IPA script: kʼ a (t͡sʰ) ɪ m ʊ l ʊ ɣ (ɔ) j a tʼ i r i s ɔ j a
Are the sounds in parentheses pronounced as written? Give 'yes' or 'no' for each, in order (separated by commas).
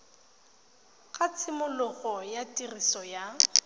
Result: yes, yes